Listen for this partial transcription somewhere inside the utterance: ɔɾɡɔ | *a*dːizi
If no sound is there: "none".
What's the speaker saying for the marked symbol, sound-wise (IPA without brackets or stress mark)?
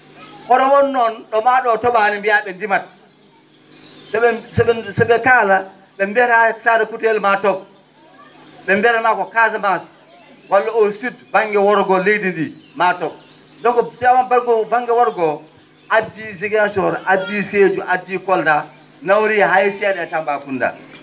a